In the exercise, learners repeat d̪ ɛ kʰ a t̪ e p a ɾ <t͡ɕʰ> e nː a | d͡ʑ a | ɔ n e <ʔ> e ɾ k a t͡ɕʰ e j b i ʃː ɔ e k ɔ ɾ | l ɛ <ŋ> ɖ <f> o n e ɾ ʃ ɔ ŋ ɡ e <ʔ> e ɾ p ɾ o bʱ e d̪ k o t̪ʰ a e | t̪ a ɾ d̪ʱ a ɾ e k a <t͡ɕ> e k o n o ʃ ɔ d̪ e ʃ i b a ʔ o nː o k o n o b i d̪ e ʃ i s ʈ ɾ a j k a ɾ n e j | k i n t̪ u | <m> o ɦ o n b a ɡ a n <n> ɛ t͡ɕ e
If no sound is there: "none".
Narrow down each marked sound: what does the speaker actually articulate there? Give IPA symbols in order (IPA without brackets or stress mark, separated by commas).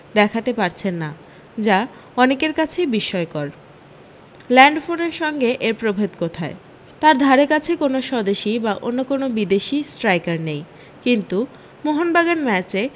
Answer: t͡ɕʰ, k, ɳ, f, ʔ, t͡ɕʰ, m, m